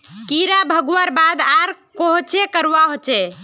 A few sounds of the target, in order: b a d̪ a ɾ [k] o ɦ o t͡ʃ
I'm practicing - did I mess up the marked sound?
no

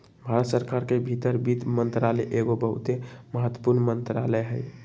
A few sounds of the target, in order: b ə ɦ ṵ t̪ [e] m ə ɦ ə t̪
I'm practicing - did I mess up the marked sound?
no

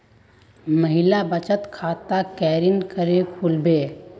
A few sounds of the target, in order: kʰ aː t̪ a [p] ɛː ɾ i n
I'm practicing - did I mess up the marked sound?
yes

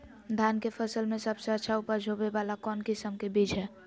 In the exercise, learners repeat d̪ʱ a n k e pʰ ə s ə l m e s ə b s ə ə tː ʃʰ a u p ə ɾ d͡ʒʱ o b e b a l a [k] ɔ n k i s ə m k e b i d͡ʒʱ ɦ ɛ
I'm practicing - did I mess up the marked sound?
no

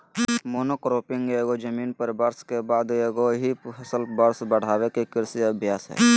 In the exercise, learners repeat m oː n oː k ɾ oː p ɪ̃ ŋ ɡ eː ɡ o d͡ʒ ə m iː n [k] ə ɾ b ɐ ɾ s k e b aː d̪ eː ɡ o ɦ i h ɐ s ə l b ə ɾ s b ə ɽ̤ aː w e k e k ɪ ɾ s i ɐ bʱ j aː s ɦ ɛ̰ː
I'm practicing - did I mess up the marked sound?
yes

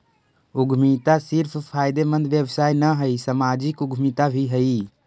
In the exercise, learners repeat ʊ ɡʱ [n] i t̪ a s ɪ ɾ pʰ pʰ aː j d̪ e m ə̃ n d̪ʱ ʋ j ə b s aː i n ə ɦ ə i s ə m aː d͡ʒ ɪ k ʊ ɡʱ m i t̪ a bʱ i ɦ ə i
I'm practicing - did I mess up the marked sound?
yes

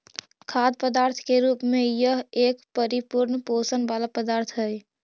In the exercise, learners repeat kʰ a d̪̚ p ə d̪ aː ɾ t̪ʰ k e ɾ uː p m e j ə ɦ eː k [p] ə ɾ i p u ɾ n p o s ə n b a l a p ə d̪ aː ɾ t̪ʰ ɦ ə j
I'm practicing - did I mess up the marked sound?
no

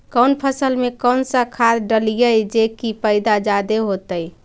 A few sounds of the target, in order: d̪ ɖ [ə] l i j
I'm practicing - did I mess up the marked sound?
no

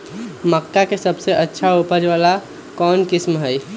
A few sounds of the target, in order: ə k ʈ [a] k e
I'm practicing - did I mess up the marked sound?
no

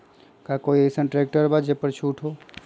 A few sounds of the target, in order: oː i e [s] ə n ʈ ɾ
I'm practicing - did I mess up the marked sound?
no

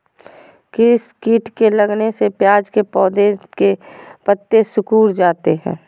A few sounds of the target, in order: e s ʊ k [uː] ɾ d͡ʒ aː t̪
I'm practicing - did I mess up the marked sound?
no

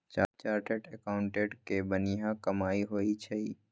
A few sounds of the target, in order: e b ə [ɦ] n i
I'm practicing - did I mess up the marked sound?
yes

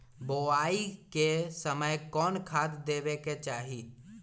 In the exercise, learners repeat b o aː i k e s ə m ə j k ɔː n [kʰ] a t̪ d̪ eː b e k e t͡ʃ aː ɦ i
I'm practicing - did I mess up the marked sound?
no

